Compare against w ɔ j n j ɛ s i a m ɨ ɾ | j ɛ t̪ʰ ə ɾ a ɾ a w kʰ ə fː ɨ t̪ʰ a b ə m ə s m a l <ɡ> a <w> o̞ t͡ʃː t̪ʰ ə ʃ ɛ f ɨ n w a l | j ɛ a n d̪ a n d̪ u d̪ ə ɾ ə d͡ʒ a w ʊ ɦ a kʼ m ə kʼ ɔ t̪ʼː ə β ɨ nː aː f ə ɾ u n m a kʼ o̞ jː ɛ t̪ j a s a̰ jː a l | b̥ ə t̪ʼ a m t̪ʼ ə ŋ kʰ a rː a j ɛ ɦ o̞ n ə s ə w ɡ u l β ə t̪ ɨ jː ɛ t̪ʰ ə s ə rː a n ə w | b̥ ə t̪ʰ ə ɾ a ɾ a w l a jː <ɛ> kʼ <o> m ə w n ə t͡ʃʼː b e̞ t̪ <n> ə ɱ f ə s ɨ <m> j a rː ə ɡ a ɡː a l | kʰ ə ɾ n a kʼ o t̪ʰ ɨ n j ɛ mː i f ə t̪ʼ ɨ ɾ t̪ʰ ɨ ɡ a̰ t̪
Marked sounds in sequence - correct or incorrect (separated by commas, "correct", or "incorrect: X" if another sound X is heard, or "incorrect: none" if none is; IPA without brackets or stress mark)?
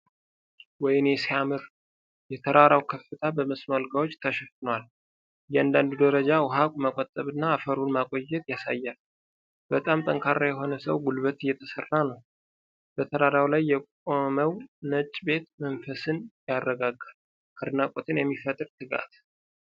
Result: correct, correct, correct, correct, incorrect: m, incorrect: n